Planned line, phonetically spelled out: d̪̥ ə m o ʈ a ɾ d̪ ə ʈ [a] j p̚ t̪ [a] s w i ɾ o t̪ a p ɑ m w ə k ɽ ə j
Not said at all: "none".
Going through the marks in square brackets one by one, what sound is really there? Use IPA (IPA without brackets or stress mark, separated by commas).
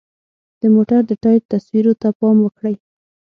ɑ, a